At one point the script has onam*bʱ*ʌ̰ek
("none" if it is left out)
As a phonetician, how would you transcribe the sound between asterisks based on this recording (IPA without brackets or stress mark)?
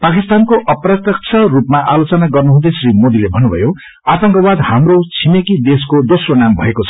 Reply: bʱ